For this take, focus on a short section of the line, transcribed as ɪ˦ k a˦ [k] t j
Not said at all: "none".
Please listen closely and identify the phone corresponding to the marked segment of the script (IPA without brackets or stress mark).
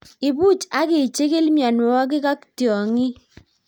k